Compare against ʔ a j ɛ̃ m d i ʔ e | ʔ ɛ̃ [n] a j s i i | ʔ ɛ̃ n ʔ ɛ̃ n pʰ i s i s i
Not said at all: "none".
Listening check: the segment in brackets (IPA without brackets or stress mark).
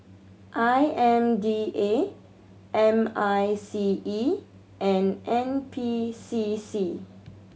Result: m